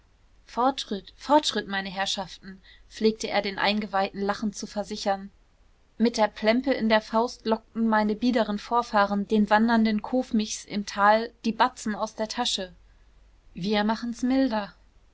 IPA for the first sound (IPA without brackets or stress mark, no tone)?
f